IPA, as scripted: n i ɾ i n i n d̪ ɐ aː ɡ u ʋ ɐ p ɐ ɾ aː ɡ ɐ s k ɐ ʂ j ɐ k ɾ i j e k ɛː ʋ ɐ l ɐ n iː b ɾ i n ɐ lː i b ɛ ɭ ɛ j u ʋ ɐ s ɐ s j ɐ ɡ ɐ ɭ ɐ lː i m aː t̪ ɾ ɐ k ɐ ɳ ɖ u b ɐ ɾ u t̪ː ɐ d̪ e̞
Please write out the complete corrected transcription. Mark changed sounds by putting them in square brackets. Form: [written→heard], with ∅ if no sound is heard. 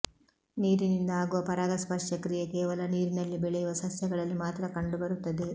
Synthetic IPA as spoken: n [i→iː] ɾ i n i n d̪ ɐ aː ɡ u ʋ ɐ p ɐ ɾ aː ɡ ɐ s [k→p] ɐ ʂ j ɐ k ɾ i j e k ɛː ʋ ɐ l ɐ n iː [b→∅] ɾ i n ɐ lː i b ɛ ɭ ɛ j u ʋ ɐ s ɐ s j ɐ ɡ ɐ ɭ ɐ lː i m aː t̪ ɾ ɐ k ɐ ɳ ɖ u b ɐ ɾ u t̪ː ɐ d̪ e̞